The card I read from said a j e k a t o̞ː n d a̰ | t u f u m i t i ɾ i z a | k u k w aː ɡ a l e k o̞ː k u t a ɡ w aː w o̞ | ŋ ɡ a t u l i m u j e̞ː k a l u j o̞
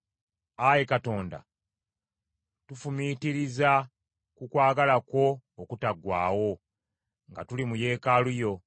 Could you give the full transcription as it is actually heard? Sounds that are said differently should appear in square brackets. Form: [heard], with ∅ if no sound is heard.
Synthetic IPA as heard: a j e k a t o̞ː n d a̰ | t u f u m i t i ɾ i z a | k u k w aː ɡ a l [a] k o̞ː k u t a ɡ w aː w o̞ | ŋ ɡ a t u l i m u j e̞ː k a l u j o̞